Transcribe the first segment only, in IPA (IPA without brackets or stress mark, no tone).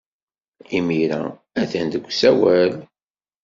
i